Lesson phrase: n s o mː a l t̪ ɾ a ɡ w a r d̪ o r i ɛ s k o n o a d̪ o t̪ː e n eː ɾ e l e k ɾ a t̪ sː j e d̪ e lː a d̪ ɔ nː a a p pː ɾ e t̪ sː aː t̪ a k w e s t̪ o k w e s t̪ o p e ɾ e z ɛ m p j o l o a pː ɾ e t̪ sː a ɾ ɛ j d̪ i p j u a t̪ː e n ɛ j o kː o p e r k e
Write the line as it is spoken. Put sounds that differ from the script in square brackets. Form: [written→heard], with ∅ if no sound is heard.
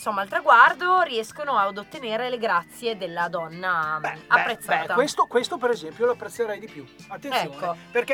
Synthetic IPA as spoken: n s o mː a l t̪ ɾ a ɡ w a r d̪ o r i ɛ s k o n o a d̪ o t̪ː e n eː ɾ e l e [k→ɡ] ɾ a t̪ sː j e d̪ e lː a d̪ ɔ nː a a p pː ɾ e t̪ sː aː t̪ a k w e s t̪ o k w e s t̪ o p e ɾ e z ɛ m p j o l o a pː ɾ e t̪ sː [a→e] ɾ ɛ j d̪ i p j u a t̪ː e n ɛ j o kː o p e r k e